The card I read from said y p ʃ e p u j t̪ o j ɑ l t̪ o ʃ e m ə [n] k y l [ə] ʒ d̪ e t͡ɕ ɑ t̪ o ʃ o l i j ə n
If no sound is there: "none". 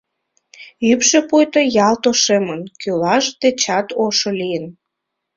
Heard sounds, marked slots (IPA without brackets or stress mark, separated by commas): n, ɑ